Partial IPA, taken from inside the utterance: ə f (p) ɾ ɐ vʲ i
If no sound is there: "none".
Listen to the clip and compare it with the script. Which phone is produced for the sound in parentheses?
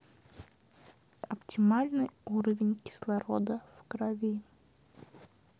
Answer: k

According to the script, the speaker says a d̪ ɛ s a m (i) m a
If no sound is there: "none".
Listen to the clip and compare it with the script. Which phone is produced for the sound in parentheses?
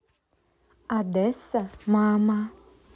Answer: a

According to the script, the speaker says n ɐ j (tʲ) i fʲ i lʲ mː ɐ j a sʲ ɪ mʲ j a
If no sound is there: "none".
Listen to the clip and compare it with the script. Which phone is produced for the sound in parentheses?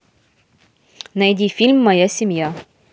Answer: dʲ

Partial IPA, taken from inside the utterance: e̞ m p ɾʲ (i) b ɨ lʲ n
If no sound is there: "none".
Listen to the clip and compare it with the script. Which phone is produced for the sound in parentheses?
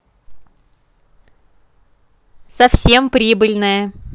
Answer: i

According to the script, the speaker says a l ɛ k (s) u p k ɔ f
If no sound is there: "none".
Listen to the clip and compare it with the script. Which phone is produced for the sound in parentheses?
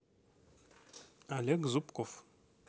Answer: z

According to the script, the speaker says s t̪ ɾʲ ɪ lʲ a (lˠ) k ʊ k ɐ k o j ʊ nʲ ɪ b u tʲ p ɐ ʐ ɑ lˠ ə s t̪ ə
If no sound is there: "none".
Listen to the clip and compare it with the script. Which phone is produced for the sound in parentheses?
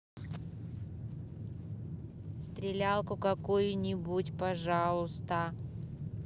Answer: lˠ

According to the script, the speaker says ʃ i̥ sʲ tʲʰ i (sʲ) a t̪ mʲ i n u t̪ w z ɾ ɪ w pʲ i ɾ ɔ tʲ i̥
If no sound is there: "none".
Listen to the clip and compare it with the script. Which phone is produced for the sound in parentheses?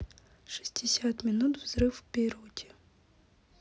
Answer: sʲ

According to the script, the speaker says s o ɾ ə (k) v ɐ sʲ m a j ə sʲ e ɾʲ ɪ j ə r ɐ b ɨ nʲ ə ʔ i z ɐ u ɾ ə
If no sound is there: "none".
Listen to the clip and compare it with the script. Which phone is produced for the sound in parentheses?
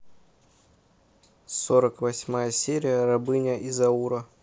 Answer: k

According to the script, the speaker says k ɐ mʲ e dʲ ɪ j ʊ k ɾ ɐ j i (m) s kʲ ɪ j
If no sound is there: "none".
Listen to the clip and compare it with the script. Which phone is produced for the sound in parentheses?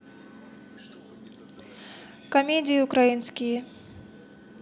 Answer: n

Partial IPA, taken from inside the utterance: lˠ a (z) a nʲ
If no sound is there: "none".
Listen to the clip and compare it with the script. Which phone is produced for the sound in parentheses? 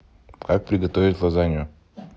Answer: z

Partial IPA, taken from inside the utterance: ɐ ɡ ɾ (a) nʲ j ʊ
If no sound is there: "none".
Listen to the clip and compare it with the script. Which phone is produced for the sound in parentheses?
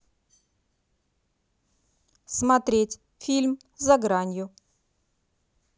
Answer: a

